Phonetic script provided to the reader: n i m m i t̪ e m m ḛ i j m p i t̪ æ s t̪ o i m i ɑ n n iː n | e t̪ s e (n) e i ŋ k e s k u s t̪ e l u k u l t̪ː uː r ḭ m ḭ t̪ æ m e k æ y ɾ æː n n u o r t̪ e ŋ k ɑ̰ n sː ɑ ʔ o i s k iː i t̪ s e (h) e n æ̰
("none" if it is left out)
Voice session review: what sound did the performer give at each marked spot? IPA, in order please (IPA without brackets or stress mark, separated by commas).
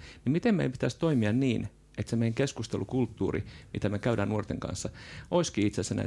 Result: m, s